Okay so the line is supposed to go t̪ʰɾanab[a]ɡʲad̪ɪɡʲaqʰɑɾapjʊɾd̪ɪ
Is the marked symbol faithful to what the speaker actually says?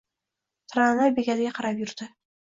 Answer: no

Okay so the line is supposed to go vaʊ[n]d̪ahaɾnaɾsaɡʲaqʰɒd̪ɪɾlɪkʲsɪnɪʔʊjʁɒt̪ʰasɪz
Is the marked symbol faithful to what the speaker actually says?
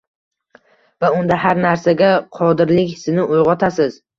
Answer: yes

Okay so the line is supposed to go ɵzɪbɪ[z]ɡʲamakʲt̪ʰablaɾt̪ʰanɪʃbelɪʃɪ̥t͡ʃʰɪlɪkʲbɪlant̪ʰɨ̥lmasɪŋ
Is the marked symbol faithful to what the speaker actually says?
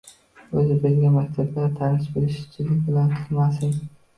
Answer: yes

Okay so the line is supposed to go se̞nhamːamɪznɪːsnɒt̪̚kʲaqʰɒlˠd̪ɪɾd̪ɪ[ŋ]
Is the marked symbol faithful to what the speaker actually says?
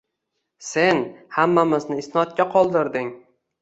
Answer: yes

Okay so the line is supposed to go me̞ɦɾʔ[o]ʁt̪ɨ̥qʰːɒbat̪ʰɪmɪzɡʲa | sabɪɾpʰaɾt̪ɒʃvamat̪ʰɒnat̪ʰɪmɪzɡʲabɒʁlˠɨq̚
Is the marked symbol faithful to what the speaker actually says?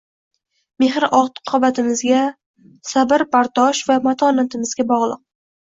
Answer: no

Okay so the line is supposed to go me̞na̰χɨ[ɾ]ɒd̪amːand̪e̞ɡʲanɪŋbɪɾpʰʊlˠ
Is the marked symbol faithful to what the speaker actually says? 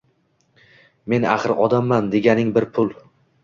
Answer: yes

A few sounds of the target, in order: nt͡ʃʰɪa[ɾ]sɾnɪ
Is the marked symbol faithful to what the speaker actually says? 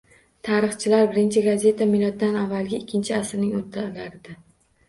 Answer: no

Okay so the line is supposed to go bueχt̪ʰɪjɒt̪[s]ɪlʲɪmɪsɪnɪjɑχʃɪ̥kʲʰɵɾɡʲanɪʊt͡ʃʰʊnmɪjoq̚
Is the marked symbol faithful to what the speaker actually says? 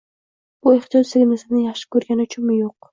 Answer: yes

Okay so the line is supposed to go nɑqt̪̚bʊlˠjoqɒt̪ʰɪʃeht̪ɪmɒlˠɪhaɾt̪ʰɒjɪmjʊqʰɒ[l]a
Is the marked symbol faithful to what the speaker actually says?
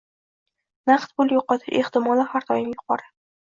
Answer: no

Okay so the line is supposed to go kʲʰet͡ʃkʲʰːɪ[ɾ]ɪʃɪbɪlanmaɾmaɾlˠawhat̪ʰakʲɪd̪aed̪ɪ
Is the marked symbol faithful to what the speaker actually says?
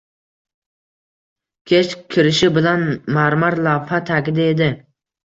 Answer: yes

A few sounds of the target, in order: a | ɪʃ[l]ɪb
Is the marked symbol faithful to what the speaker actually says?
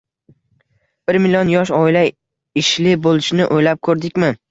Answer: yes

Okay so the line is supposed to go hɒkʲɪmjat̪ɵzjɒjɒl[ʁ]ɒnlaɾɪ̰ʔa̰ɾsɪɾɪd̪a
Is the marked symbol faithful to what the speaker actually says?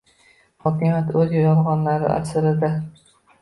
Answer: yes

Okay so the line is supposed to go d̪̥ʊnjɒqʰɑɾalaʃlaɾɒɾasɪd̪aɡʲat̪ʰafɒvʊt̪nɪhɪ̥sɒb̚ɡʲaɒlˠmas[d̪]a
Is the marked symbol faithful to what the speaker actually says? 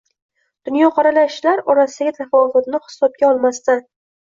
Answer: no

